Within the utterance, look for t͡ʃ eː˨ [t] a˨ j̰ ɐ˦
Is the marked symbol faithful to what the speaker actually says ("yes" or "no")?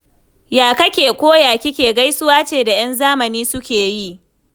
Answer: no